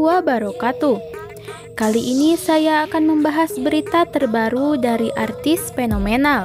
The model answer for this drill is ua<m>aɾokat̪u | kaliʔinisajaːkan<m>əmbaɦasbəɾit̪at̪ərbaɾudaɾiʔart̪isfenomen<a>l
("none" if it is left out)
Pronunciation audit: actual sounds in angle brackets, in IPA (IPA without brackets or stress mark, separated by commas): b, m, a